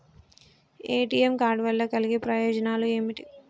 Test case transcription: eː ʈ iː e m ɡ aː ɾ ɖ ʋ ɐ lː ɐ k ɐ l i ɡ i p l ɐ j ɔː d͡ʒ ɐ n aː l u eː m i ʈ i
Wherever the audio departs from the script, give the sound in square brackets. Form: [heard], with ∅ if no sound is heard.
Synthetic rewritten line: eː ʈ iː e m [k] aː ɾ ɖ ʋ ɐ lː ɐ k ɐ l i ɡ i p [ɾ] ɐ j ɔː d͡ʒ ɐ n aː l u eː m i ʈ i